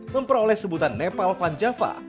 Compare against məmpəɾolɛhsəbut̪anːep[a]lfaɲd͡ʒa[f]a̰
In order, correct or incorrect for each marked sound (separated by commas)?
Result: correct, correct